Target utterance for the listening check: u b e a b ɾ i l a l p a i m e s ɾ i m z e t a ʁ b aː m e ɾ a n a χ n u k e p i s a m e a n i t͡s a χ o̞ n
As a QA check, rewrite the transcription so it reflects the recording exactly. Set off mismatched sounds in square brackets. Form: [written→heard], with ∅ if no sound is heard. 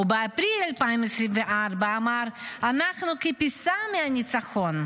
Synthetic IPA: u b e a [b→p] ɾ i l a l p a i m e s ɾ i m [z→v] e [t→ʔ] a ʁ b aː m [e→a] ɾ a n a χ n u k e p i s a m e a n i t͡s a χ o̞ n